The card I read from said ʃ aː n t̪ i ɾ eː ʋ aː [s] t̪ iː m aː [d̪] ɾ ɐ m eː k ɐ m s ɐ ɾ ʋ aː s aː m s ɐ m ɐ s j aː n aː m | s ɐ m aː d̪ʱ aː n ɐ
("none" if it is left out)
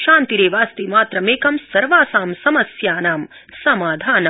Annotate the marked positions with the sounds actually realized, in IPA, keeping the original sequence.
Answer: s, t̪

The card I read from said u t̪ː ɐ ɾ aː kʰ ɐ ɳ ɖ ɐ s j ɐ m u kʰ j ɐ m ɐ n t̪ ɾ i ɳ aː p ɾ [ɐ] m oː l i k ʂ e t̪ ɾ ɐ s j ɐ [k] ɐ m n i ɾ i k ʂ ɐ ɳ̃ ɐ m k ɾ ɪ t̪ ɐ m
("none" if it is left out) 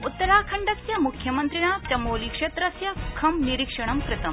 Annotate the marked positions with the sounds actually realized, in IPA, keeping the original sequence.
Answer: ɐ, kʰ

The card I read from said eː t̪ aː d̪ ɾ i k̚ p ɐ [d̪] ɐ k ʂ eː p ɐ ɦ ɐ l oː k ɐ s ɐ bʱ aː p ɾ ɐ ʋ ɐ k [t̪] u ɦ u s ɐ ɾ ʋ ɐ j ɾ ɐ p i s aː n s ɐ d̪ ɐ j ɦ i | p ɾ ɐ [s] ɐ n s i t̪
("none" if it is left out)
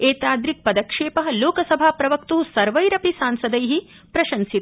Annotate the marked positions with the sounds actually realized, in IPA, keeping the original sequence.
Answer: d̪, t̪, ʃ

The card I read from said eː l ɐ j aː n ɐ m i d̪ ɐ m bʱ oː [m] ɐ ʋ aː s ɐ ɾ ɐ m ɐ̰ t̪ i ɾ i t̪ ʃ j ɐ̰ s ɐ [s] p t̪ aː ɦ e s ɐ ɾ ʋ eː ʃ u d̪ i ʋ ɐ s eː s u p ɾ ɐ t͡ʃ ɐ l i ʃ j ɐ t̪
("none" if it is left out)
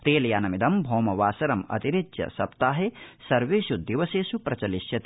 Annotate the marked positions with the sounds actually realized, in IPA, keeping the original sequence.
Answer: m, none

